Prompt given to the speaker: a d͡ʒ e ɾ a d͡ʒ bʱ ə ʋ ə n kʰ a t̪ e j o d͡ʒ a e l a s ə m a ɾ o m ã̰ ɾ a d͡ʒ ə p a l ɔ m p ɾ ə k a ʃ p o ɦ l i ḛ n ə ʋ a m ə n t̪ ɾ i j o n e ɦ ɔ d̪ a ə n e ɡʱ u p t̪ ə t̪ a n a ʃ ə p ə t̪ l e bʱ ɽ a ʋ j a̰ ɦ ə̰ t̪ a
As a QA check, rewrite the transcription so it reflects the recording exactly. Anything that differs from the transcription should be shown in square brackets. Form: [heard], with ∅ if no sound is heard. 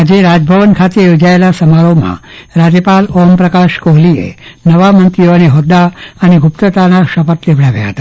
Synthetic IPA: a d͡ʒ e ɾ a d͡ʒ bʱ ə ʋ ə n kʰ a t̪ e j o d͡ʒ a e l a s ə m a ɾ o m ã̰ ɾ a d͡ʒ ə p a l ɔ m p ɾ ə k a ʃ [k] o ɦ l i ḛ n ə ʋ a m ə n t̪ ɾ i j o n e ɦ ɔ d̪ a ə n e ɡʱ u p t̪ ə t̪ a n a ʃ ə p ə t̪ l e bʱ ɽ a ʋ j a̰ ɦ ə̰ t̪ a